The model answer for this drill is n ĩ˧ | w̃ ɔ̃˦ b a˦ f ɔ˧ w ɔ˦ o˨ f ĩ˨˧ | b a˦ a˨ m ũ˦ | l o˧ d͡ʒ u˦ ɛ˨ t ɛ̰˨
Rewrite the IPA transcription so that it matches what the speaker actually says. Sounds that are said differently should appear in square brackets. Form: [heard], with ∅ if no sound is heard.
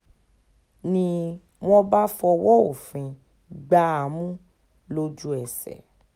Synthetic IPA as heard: n ĩ˧ | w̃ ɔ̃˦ b a˦ f ɔ˧ w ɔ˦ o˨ f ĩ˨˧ | [ɡ͡b] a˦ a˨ m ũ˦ | l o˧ d͡ʒ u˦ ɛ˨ [s] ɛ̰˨

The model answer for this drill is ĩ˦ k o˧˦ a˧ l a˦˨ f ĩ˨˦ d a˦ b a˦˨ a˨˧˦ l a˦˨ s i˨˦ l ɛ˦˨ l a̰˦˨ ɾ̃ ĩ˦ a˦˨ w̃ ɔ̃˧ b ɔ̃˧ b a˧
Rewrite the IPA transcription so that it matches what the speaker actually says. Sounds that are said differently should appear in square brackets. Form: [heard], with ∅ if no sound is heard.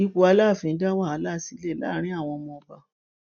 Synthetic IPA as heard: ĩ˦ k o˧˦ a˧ l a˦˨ f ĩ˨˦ d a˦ [w] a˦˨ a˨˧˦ l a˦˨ s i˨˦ l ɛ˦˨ l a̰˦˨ ɾ̃ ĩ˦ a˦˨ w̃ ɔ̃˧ [m] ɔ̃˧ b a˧

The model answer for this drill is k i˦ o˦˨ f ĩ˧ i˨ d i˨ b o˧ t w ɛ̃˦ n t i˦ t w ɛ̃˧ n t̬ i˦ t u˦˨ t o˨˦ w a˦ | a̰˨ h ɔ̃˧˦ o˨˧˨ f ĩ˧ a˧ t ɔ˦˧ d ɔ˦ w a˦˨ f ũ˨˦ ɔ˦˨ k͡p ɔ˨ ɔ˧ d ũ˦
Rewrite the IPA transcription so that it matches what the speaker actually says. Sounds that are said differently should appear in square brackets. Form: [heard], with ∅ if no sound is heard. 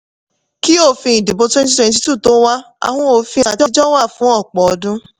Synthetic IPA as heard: k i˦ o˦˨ f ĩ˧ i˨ d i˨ b o˧ t w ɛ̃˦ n t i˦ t w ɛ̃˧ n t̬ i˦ t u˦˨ t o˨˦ w a˦ | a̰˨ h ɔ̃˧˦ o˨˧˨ f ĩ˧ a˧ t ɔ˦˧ [d͡ʒ] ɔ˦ w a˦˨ f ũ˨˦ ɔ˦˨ k͡p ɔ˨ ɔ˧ d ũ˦

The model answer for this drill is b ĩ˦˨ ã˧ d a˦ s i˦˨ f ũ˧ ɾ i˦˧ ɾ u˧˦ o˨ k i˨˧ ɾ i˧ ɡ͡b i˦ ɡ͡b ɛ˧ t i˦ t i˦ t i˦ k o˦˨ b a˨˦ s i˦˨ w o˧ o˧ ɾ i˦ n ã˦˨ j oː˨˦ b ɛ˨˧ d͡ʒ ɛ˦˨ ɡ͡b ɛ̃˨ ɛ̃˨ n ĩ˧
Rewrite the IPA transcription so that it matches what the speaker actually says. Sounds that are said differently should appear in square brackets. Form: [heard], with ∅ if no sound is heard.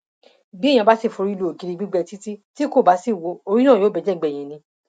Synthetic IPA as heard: b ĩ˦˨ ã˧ [b] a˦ s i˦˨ f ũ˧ ɾ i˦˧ [l] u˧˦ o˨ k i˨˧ ɾ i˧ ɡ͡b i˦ ɡ͡b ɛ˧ t i˦ t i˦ t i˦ k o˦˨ b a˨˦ s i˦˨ w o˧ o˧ ɾ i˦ n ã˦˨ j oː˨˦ b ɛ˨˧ d͡ʒ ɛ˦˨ ɡ͡b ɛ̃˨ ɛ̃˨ n ĩ˧

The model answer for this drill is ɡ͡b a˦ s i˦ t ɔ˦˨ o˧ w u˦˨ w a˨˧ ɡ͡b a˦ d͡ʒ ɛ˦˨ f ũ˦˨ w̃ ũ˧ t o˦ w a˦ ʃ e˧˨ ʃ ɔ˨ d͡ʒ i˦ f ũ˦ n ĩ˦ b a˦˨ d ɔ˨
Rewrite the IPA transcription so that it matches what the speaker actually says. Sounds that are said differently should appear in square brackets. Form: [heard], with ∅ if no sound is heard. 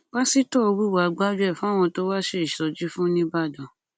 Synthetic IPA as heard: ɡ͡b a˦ s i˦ t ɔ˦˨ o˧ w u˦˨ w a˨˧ ɡ͡b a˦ d͡ʒ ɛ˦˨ f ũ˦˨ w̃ [ɔ̃˧] t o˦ w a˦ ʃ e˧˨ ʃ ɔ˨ d͡ʒ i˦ f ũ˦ n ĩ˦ b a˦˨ d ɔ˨

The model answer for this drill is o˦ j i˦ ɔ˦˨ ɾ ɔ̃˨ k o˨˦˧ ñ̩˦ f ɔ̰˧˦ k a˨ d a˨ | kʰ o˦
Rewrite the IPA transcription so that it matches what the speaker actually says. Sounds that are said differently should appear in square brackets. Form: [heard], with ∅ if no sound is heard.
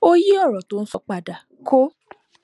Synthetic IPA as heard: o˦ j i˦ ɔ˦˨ ɾ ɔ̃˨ [t] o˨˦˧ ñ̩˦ [s] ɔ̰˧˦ [k͡p] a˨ d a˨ | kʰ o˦

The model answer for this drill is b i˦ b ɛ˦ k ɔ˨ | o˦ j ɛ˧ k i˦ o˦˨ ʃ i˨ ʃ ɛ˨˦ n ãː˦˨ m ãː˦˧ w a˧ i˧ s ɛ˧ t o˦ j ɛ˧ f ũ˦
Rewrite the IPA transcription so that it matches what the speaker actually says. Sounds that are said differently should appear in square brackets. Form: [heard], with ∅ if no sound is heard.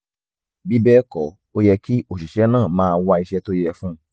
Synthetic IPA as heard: b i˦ b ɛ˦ k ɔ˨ | o˦ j ɛ˧ k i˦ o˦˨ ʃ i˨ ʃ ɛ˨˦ n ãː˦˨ m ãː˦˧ w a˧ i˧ [ʃ] ɛ˧ t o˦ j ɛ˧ f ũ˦

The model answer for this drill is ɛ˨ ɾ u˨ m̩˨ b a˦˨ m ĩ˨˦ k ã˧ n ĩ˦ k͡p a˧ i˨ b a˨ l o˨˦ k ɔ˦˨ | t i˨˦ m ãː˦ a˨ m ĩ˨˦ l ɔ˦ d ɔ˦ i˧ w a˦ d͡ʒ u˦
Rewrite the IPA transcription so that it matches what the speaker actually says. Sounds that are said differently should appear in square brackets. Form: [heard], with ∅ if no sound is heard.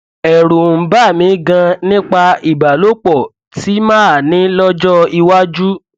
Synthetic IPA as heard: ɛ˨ ɾ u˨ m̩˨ b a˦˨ m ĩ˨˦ [ɡ] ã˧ n ĩ˦ k͡p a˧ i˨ b a˨ l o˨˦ [k͡p] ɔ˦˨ | t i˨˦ m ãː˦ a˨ [n] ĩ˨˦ l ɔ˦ [d͡ʒ] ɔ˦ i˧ w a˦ d͡ʒ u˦

